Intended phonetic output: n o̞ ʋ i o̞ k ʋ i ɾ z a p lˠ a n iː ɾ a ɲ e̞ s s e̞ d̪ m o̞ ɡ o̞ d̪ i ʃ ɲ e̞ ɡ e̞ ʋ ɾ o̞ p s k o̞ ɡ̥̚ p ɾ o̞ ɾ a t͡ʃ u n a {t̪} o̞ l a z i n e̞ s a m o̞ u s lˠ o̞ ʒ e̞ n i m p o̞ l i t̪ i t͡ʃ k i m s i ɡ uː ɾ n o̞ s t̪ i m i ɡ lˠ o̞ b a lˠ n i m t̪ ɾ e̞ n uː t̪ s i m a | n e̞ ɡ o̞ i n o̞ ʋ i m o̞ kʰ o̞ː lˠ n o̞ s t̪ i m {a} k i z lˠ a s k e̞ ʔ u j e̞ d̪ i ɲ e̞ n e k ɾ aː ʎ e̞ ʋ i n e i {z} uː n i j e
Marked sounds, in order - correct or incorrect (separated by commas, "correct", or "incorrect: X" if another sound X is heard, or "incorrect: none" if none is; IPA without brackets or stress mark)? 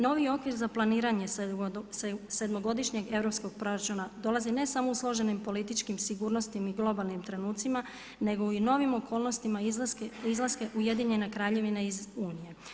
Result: incorrect: d̪, correct, correct